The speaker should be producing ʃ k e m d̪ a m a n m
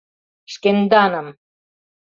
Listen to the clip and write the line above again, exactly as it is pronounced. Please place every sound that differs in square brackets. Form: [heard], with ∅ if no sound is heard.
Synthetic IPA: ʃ k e [n] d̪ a [n] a [∅] m

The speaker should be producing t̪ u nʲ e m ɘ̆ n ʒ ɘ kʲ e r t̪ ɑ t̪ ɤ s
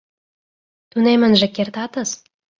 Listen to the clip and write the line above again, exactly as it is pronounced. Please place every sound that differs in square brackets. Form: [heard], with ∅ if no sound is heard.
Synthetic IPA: t̪ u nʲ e m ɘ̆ n ʒ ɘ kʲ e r t̪ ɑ t̪ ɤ s

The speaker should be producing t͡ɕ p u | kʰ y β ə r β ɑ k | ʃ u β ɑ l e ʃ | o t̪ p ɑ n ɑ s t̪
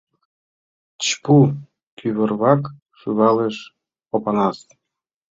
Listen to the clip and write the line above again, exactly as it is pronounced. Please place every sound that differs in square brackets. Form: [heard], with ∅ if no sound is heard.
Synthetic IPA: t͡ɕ p u | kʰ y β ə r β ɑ k | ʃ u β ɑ l e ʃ | o [∅] p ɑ n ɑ s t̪

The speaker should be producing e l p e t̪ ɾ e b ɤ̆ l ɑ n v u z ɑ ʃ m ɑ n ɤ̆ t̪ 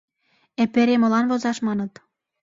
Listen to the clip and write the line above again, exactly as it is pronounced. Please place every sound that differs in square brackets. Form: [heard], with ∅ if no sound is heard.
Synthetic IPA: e [∅] p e [∅] ɾ e [m] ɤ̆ l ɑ n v [o] z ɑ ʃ m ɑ n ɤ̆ t̪

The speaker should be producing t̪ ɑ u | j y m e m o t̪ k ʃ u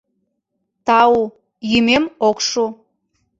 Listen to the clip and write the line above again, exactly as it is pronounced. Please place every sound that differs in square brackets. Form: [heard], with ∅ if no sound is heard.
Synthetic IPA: t̪ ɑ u | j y m e m o [∅] k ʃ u

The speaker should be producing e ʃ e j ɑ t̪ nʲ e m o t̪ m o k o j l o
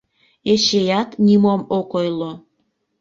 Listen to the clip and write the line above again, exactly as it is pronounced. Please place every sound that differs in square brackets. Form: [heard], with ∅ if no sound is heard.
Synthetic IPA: e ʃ e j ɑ t̪ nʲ [i] m o [∅] m o k o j l o

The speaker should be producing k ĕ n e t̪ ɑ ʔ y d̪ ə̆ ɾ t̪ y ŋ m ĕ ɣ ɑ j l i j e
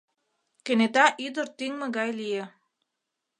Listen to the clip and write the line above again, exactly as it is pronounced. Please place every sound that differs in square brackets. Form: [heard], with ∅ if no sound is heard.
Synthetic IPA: k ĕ n e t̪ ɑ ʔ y d̪ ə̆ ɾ t̪ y ŋ m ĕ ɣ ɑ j l i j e

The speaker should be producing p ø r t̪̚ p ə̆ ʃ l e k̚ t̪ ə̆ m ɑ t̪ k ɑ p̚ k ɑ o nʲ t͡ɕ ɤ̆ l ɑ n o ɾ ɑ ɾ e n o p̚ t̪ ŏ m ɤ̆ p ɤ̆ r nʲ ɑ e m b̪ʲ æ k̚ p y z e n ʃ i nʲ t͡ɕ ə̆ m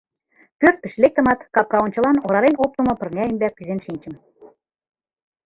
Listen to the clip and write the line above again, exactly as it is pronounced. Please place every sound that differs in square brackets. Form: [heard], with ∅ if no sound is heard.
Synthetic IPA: p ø r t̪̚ p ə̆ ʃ l e k̚ t̪ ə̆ m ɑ t̪ k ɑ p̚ k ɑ o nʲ t͡ɕ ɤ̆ l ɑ n o ɾ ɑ ɾ e n o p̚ t̪ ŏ m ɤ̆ p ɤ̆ r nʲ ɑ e m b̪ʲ æ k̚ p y z e n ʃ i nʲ t͡ɕ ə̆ m

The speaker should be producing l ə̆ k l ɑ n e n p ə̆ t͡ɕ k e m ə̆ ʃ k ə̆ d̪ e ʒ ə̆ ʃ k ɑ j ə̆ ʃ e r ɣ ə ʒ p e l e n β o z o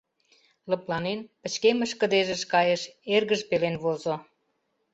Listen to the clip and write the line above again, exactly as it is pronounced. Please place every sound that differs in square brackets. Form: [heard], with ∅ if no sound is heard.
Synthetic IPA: l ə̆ [p] l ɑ n e n p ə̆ t͡ɕ k e m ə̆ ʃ k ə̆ d̪ e ʒ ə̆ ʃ k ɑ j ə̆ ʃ e r ɣ ə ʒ p e l e n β o z o

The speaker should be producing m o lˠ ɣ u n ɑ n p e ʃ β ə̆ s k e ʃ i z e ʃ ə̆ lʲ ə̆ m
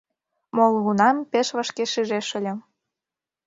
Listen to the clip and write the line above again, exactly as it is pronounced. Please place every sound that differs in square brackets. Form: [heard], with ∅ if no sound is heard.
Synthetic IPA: m o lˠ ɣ u n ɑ [m] p e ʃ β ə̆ [ʃ] k e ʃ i [ʒ] e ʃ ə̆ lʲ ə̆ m

